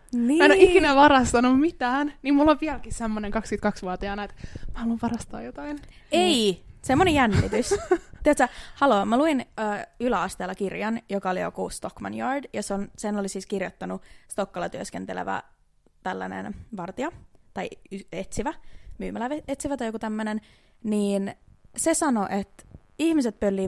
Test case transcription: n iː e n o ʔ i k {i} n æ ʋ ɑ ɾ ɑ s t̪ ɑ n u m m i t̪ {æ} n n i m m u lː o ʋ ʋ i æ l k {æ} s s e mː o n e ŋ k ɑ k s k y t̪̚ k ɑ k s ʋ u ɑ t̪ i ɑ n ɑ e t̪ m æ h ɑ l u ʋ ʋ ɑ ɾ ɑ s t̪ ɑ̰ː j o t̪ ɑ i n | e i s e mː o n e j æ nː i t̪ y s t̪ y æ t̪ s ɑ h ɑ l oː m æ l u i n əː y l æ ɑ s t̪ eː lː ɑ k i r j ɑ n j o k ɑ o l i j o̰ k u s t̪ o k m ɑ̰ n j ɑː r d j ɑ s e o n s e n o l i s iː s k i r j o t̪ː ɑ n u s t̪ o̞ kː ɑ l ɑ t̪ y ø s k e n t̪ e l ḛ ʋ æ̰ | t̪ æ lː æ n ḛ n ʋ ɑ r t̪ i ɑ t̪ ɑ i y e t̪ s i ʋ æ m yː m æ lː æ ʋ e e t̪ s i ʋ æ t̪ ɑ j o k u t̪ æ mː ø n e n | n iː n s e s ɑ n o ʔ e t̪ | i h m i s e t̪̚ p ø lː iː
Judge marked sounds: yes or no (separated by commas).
yes, no, no